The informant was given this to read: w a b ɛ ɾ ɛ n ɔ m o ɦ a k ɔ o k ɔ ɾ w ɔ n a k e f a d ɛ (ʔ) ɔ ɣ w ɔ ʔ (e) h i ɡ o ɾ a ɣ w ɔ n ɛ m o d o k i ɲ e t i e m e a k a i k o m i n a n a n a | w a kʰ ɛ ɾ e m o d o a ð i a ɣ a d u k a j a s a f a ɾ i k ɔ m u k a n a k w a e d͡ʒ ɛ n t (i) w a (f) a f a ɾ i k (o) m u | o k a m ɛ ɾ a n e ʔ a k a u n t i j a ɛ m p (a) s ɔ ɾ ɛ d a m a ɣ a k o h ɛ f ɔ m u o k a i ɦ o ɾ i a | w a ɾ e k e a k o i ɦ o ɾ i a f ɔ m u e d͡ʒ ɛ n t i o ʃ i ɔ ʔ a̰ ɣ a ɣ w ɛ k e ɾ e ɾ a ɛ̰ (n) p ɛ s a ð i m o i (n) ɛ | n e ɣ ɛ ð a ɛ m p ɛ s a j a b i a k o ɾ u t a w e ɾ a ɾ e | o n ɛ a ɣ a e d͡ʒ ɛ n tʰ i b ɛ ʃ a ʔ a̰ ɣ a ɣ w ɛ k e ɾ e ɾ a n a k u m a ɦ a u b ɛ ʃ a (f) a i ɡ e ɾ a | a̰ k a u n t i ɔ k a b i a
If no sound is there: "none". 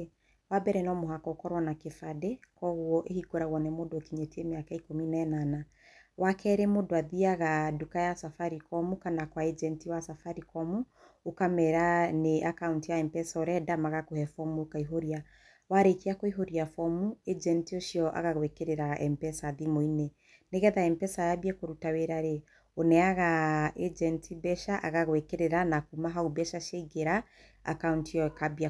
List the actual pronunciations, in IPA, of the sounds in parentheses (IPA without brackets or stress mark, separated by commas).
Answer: k, e, i, s, ɔ, ɛ, m, n, ʃ